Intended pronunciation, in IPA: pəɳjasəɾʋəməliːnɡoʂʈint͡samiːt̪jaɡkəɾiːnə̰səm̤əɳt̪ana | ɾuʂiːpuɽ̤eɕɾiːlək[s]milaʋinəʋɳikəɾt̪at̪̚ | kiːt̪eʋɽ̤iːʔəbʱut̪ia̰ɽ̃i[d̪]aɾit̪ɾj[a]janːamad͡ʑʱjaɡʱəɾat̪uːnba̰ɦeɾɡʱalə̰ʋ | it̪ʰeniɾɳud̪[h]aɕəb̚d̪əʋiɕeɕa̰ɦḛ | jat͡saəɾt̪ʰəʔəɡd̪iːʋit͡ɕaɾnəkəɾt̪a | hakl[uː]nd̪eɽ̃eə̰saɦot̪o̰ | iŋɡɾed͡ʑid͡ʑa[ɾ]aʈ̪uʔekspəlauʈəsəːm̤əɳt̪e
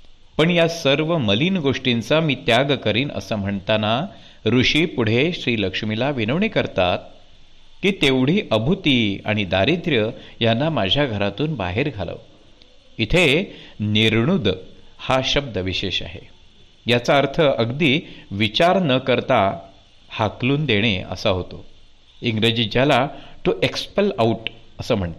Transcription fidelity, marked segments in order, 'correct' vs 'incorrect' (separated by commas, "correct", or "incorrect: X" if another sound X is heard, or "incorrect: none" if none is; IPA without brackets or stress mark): incorrect: ʂ, correct, incorrect: ə, correct, correct, incorrect: l